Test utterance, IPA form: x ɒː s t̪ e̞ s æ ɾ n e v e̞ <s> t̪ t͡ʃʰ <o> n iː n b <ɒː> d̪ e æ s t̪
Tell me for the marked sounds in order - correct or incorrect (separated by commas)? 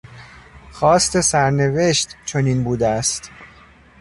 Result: incorrect, correct, incorrect